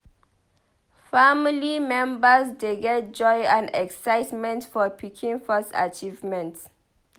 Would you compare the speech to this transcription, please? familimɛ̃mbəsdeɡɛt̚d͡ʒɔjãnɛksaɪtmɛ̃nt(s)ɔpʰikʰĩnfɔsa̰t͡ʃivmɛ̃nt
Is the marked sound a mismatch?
yes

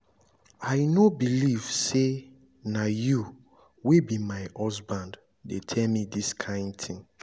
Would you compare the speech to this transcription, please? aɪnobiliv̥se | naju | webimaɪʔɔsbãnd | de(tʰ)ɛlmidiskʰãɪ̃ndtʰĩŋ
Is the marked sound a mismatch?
no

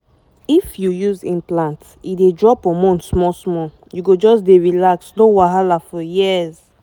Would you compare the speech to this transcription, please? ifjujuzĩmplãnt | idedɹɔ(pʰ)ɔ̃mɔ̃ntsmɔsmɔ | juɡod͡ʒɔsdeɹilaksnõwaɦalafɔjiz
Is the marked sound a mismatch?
yes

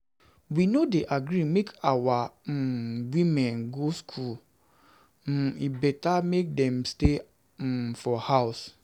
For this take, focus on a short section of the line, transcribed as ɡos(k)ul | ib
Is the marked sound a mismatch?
yes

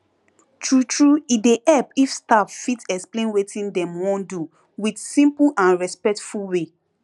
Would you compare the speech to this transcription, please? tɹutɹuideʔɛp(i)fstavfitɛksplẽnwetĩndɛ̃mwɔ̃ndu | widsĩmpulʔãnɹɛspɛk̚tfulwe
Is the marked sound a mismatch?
no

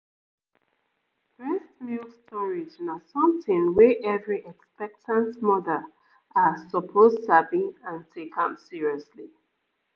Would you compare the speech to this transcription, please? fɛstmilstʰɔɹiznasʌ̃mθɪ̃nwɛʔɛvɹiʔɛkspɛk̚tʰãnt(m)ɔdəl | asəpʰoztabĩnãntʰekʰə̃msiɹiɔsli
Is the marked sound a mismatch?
no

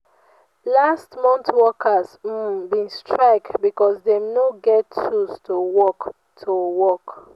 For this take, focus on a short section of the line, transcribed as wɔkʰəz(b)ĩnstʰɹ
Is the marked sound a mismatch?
no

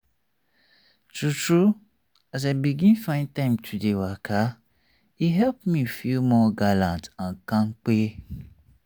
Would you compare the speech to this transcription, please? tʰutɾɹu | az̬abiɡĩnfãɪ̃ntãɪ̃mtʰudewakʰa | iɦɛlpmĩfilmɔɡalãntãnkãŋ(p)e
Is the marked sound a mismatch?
yes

